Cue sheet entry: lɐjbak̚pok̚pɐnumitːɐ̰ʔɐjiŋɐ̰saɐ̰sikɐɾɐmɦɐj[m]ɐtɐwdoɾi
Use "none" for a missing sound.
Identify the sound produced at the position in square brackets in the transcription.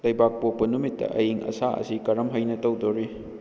n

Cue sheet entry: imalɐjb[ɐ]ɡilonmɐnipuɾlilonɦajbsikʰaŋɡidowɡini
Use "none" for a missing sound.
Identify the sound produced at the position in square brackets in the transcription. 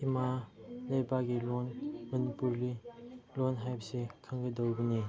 a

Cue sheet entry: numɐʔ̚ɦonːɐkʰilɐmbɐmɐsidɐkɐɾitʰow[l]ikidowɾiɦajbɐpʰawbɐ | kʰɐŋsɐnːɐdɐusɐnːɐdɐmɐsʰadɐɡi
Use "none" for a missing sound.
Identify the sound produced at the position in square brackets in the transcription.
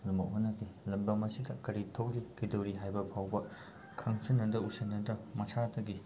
l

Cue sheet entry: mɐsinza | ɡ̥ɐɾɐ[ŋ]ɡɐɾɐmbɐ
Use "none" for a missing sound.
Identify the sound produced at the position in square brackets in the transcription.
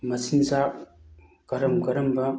m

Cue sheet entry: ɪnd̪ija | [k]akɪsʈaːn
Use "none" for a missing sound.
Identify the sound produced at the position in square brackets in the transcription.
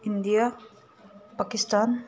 p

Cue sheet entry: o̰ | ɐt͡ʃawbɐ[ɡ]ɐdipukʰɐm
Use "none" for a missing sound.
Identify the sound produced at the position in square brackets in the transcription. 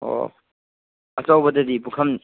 d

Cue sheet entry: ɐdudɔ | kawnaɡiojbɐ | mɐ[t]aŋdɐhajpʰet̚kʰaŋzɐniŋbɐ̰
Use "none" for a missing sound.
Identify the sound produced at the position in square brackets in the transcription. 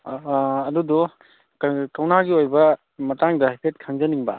t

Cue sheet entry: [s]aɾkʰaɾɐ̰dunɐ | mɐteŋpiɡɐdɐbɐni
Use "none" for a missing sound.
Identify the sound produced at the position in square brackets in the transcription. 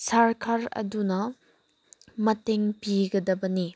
s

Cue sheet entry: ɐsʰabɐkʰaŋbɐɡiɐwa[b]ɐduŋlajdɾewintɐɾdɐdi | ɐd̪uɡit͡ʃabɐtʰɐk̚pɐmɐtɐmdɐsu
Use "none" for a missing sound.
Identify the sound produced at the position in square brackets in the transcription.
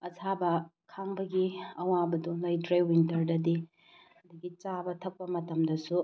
b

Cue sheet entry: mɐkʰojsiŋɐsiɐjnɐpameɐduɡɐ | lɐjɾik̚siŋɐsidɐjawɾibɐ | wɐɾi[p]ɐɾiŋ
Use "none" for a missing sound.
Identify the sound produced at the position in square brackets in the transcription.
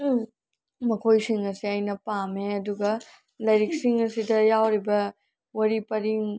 p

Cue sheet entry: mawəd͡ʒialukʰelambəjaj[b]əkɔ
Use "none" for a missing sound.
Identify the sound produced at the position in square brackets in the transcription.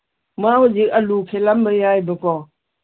b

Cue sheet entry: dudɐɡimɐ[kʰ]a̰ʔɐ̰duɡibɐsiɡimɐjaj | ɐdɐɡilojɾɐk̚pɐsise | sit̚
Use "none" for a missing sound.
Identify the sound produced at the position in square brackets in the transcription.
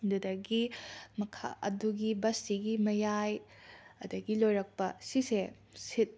kʰ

